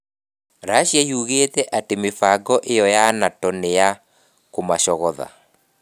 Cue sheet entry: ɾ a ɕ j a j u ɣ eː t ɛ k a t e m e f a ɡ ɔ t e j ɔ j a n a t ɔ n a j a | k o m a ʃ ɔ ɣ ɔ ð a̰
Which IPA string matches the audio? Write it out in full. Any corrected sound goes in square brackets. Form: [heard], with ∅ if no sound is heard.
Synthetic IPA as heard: ɾ a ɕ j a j u ɣ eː t ɛ [ʔ] a t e m e f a ɡ ɔ [ʔ] e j ɔ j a n a t ɔ n [e] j a | k o m a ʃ ɔ ɣ ɔ ð a̰